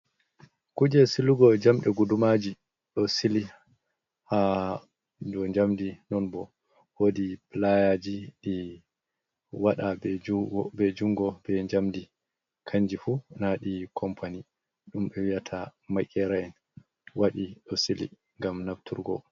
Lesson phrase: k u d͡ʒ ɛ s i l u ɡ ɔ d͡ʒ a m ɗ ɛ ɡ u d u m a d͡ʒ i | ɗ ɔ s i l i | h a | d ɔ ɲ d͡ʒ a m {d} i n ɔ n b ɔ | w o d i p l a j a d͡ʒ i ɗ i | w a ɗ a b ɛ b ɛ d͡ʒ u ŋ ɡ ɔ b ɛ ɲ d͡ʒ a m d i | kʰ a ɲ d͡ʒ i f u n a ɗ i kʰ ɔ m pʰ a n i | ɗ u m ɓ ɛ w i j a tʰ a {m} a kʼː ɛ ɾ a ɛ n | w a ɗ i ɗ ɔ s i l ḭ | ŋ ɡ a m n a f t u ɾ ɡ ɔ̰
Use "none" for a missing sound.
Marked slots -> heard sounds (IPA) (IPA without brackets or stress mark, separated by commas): d, m